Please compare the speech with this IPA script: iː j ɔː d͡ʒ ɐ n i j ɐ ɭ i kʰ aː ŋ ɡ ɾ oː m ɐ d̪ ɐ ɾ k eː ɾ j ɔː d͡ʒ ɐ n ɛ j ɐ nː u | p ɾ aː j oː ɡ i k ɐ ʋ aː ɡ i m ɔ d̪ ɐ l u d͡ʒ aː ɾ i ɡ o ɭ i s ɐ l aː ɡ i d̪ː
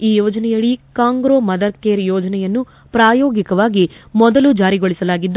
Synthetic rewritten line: iː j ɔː d͡ʒ ɐ n ɛ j ɐ ɭ i k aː ŋ ɡ ɾ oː m ɐ d̪ ɐ ɾ k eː ɾ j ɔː d͡ʒ ɐ n ɛ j ɐ nː u | p ɾ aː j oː ɡ i k ɐ ʋ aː ɡ i m ɔ d̪ ɐ l u d͡ʒ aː ɾ i ɡ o ɭ i s ɐ l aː ɡ i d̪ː